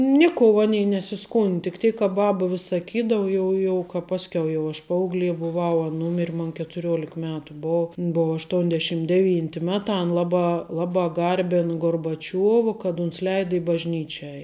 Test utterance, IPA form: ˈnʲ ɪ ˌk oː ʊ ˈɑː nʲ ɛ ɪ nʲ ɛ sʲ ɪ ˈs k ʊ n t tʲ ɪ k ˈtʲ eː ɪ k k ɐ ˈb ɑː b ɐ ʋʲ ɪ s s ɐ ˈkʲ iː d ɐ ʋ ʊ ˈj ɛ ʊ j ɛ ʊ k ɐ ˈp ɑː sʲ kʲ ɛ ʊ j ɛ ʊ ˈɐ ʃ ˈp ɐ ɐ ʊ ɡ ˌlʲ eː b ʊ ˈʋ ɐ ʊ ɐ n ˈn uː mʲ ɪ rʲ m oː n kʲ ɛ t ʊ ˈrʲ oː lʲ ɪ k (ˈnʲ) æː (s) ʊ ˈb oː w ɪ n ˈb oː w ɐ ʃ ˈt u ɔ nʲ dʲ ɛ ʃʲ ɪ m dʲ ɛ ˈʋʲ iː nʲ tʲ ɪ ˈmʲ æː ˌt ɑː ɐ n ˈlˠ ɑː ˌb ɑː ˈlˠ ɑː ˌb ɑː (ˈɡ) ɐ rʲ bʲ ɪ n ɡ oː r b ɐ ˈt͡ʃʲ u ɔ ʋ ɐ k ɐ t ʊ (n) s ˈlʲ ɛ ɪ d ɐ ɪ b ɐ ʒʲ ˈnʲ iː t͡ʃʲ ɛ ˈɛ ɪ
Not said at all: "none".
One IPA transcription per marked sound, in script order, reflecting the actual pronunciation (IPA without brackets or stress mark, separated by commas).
mʲ, t, ɡ, n